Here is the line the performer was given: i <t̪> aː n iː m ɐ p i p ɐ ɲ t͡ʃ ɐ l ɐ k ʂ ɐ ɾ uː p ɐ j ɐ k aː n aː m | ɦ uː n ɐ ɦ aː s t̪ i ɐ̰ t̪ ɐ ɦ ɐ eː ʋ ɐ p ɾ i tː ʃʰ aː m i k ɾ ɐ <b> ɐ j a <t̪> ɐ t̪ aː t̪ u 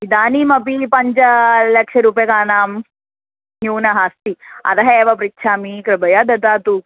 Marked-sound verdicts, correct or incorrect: incorrect: d̪, correct, incorrect: d̪

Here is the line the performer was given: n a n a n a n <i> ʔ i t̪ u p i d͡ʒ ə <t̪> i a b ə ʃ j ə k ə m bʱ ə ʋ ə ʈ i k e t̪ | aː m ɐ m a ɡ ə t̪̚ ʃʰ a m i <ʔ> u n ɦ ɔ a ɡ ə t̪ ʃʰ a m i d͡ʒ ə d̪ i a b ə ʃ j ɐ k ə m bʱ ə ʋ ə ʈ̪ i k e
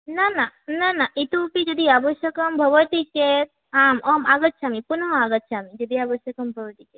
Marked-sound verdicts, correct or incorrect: incorrect: a, incorrect: d̪, incorrect: p

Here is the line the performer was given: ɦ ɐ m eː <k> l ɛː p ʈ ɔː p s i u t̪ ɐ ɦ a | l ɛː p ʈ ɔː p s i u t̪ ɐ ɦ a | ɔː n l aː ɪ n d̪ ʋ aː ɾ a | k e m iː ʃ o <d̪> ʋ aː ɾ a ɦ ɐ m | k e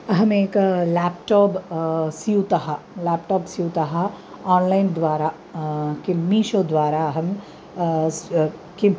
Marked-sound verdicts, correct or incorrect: correct, correct

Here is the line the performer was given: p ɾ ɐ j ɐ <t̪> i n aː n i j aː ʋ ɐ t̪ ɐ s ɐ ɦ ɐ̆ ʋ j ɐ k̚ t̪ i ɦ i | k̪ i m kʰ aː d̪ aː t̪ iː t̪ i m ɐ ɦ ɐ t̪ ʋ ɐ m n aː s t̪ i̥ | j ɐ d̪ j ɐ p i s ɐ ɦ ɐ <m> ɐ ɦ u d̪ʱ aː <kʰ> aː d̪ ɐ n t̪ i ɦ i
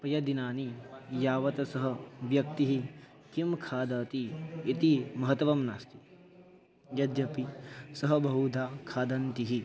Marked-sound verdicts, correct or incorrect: incorrect: d̪, incorrect: b, correct

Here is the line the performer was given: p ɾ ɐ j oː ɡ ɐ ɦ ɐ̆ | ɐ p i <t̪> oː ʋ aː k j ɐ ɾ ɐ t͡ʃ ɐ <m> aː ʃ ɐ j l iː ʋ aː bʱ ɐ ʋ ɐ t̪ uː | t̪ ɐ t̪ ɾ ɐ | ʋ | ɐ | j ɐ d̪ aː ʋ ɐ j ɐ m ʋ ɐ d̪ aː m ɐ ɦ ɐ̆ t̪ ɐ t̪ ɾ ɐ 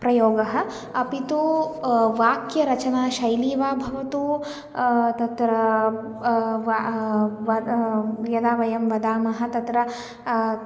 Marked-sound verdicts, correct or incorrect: correct, incorrect: n

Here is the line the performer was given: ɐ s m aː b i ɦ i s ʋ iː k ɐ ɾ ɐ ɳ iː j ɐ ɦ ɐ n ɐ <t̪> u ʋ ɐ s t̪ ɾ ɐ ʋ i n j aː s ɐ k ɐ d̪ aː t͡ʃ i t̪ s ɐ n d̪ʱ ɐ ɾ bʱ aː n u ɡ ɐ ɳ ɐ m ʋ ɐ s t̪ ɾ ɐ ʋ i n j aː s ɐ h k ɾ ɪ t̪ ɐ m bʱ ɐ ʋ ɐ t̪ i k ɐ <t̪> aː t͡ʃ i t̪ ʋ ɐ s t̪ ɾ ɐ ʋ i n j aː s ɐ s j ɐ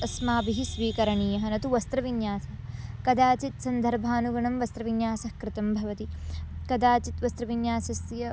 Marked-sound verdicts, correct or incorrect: correct, incorrect: d̪

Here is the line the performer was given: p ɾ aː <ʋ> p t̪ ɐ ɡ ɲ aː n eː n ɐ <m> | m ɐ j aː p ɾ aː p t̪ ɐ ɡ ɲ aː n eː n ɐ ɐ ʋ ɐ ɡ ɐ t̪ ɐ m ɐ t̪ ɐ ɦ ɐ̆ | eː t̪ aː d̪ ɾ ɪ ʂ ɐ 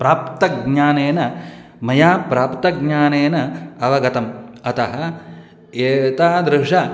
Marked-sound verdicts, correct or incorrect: incorrect: none, incorrect: none

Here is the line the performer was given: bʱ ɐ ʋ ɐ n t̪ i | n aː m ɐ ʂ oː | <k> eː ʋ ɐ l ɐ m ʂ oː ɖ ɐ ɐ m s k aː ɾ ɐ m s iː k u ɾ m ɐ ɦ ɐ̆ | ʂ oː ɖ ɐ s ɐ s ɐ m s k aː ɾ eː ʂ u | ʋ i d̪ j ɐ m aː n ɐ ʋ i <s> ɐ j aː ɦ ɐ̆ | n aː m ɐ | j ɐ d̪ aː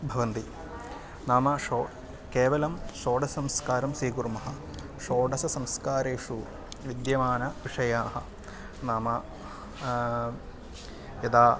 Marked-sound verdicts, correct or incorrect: correct, incorrect: ʂ

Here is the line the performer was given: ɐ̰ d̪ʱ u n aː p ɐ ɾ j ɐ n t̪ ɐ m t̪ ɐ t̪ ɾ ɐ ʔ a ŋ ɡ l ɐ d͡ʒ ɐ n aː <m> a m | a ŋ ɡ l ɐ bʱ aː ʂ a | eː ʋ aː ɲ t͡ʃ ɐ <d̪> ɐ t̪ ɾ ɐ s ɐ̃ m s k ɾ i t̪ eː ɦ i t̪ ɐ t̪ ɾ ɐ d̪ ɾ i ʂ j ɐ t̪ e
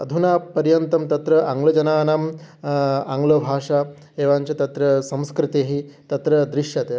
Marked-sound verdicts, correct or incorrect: incorrect: n, incorrect: t̪

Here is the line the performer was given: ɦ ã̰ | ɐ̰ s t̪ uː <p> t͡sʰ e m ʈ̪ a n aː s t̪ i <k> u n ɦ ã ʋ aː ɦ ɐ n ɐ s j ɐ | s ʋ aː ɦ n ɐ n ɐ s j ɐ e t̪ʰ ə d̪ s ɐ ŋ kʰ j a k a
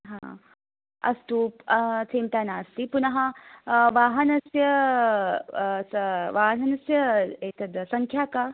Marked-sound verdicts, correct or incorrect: correct, incorrect: p

